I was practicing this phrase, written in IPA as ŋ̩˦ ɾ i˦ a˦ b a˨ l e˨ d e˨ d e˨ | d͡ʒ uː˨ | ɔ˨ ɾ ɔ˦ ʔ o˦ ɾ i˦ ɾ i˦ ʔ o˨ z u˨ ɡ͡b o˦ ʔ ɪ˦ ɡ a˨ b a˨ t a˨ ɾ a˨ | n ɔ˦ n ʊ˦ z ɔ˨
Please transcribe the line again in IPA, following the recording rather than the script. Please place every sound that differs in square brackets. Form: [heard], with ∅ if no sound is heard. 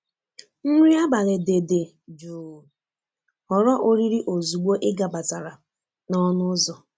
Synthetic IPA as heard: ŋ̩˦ ɾ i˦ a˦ b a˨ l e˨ d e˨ d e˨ | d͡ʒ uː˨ | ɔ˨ ɾ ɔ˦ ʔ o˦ ɾ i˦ ɾ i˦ ʔ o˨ z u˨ ɡ͡b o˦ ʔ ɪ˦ ɡ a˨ b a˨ t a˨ ɾ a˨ | n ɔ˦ n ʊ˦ z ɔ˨